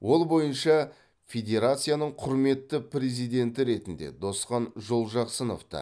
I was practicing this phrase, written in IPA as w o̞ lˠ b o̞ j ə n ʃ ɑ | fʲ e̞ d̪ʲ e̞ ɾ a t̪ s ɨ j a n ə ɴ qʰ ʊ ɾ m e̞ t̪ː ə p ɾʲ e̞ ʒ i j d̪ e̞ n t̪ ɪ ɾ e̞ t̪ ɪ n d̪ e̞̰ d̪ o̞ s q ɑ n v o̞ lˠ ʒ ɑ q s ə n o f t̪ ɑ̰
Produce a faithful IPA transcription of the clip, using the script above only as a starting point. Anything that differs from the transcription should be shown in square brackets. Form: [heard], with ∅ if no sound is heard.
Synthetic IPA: w o̞ lˠ b o̞ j ə n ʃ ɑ | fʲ e̞ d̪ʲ e̞ ɾ a t̪ s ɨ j a n ə ɴ qʰ ʊ ɾ m e̞ t̪ː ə p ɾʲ e̞ [z] i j d̪ e̞ n t̪ ɪ ɾ e̞ t̪ ɪ n d̪ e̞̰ d̪ o̞ s q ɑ n [ʒ] o̞ lˠ ʒ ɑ q s ə n o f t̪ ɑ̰